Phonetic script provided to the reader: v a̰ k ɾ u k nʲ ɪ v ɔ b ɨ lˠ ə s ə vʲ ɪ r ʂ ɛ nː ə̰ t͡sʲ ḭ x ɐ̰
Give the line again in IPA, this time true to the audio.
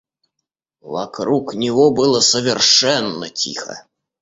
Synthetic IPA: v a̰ k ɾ u k nʲ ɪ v ɔ b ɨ lˠ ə s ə vʲ ɪ r ʂ ɛ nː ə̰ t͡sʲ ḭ x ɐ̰